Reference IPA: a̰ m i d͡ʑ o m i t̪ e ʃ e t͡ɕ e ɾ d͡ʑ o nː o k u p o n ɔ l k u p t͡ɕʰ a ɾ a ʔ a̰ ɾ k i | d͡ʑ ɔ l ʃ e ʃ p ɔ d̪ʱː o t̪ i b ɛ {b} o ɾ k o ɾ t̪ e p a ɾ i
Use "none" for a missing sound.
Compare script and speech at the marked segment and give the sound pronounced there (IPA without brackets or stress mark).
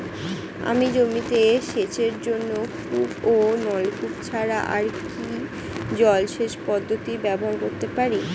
b